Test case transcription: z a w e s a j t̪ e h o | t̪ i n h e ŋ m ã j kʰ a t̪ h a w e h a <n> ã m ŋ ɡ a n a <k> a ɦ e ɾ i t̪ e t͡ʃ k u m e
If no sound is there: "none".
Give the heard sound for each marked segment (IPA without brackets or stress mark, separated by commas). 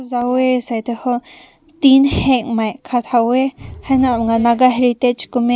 n, ɡ